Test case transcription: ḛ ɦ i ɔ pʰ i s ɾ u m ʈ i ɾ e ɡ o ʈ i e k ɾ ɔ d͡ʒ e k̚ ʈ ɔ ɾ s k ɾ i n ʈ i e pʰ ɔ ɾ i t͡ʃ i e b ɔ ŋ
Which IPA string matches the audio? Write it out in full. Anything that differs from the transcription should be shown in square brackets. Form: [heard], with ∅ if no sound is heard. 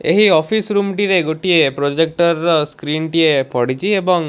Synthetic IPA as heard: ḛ ɦ i ɔ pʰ i s ɾ u m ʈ i ɾ e ɡ o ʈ i e [p] ɾ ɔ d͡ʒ e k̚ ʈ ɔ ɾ s k ɾ i n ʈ i e [p] ɔ [ɽ] i t͡ʃ i e b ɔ ŋ